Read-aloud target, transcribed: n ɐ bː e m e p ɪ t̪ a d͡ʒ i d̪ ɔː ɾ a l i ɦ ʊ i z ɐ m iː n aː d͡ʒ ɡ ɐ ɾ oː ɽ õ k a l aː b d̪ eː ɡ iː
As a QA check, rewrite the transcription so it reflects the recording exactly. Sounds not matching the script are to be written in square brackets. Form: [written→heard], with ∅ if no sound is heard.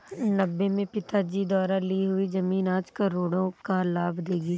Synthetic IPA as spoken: n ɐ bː e m [e→ẽ] p ɪ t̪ a d͡ʒ i d̪ ɔː ɾ a l i ɦ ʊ i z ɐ m iː n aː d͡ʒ [ɡ→k] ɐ ɾ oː ɽ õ k a l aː b d̪ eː ɡ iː